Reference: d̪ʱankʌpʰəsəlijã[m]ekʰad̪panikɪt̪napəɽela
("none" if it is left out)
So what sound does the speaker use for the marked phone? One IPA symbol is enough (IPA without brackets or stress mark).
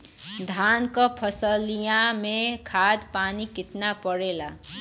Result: m